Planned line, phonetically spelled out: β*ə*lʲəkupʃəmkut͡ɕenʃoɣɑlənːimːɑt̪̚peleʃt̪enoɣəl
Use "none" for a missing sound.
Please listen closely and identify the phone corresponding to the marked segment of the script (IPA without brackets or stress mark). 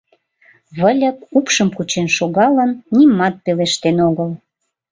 ə